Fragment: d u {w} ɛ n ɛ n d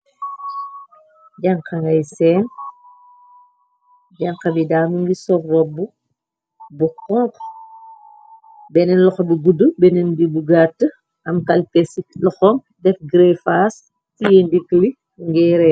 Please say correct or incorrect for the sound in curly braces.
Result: incorrect